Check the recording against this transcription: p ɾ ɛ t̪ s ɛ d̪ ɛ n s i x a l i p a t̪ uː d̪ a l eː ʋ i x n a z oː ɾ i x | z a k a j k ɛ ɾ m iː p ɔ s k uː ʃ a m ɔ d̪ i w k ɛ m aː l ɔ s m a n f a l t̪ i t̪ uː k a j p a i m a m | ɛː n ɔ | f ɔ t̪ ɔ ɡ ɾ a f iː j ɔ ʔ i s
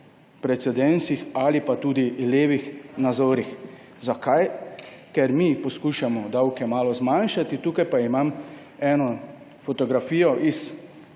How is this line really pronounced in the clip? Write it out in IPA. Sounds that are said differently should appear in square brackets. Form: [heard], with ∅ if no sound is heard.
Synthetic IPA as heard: p ɾ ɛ t̪ s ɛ d̪ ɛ n s i x a l i p a t̪ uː d̪ [i] l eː ʋ i x n a z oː ɾ i x | z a k a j k ɛ ɾ m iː p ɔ s k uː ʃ a m ɔ d̪ [a] w k ɛ m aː l ɔ [z] m a n [ʃ] a [∅] t̪ i t̪ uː k a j p a i m a m | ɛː n ɔ | f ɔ t̪ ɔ ɡ ɾ a f iː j ɔ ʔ i s